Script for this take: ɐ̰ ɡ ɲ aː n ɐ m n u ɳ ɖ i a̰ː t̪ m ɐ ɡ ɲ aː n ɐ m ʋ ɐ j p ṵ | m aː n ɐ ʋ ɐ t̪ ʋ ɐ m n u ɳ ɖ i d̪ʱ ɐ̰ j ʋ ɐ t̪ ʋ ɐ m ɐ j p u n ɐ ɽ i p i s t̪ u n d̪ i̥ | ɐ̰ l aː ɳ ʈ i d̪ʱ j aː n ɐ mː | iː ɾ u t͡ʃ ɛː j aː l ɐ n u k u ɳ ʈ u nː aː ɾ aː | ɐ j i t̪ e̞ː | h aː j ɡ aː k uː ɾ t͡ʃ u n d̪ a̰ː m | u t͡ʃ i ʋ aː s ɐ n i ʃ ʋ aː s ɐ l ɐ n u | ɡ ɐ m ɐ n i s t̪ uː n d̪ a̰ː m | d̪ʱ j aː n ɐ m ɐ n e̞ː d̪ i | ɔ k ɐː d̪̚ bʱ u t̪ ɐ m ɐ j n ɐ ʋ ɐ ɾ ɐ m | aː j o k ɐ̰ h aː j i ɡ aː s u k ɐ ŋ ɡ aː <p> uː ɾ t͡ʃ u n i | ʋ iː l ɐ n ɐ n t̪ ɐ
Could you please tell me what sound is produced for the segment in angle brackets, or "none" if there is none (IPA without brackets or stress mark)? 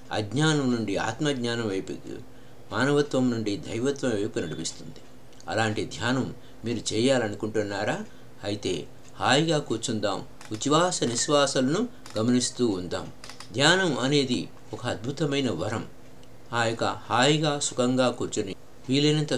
k